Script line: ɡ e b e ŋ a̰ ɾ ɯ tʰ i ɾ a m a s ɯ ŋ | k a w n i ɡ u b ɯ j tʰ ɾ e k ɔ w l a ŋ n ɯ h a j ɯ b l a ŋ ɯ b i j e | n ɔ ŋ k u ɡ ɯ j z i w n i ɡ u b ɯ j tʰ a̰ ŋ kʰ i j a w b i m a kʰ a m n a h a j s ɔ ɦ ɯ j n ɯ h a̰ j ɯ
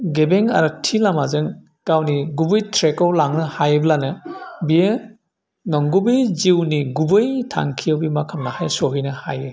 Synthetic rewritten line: ɡ e b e ŋ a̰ ɾ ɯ tʰ i l a m a z ɯ ŋ | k a w n i ɡ u b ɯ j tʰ ɾ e k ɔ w l a ŋ n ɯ h a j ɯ b l a n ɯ b i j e | n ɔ ŋ ɡ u b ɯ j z i w n i ɡ u b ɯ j tʰ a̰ ŋ kʰ i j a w b i m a kʰ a m n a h a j s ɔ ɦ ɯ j n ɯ h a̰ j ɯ